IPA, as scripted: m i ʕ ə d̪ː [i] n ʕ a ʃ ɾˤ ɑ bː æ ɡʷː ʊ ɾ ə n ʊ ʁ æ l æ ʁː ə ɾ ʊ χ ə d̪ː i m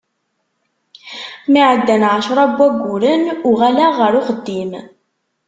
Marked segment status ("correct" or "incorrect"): incorrect